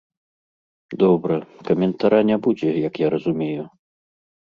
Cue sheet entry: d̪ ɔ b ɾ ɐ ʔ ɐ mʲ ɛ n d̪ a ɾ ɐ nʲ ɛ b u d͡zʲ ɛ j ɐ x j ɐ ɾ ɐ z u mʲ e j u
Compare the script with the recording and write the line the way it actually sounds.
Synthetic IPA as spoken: d̪ ɔ b ɾ ɐ k ɐ mʲ ɛ n t̪ a ɾ a nʲ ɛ b u d͡zʲ ɛ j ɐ k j a ɾ ɐ z u mʲ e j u